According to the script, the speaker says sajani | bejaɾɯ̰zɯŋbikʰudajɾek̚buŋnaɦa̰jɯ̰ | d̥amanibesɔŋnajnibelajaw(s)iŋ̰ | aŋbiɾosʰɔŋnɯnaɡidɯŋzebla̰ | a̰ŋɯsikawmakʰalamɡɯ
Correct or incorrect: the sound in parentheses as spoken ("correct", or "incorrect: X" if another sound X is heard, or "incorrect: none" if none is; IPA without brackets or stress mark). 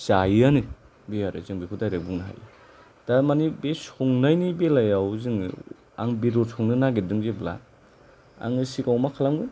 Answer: incorrect: z